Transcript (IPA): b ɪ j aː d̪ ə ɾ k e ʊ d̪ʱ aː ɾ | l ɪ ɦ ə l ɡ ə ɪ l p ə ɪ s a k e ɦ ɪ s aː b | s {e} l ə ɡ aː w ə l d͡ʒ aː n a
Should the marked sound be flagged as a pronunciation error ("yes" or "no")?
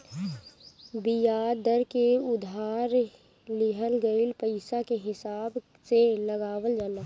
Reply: no